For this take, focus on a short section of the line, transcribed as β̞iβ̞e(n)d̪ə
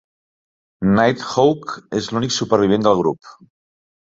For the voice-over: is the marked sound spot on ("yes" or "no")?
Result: yes